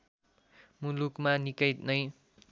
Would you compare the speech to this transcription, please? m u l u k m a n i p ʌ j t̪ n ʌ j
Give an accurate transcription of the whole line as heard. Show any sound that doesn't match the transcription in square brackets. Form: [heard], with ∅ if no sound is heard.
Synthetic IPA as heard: m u l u k m a n i [k] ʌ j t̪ n ʌ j

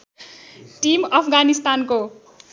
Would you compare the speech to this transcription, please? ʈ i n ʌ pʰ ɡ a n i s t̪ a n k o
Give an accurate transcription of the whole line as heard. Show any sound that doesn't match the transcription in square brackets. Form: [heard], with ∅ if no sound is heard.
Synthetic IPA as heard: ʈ i [m] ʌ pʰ ɡ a n i s t̪ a n k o

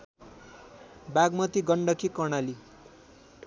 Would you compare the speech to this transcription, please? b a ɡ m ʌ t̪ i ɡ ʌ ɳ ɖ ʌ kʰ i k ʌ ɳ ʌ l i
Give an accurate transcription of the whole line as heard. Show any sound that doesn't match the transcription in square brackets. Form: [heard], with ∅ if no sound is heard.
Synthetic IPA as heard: b a ɡ m ʌ t̪ i ɡ ʌ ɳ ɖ ʌ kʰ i k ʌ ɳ [a] l i

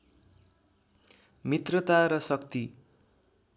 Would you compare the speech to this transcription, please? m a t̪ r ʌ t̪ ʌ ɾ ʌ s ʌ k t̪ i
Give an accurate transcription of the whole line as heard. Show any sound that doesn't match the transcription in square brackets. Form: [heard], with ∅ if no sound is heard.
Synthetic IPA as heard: m [i] t̪ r ʌ t̪ [a] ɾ ʌ s ʌ k t̪ i

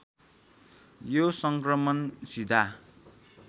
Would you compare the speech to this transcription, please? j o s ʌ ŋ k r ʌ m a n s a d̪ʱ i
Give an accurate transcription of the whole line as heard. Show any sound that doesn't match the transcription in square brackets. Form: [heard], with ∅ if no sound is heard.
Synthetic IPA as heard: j o s ʌ ŋ k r ʌ m [ʌ] n s [i] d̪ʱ [a]

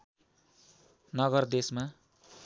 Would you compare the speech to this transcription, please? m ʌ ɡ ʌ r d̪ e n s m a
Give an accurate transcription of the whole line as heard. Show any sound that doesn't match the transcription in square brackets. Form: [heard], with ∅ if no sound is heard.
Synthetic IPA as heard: [n] ʌ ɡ ʌ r d̪ e [∅] s m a

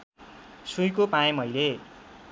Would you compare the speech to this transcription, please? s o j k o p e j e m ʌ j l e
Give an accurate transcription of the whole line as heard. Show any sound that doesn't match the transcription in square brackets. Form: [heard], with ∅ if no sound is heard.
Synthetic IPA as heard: s [u] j k o p [a] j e m ʌ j l e

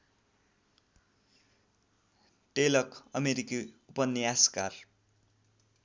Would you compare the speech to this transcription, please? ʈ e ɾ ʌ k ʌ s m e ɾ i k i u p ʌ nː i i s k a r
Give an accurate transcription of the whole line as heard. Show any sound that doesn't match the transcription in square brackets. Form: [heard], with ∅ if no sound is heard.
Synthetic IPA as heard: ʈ e [l] ʌ k ʌ [∅] m e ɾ i k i u p ʌ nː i [a] s k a r

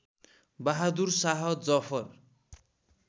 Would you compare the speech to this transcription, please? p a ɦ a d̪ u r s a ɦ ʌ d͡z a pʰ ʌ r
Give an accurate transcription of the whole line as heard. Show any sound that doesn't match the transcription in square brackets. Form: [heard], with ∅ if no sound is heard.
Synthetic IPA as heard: [b] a ɦ a d̪ u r s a ɦ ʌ d͡z [ʌ] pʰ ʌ r

